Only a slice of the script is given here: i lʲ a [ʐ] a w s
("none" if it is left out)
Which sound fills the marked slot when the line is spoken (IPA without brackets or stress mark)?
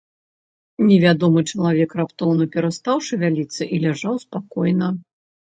ʐ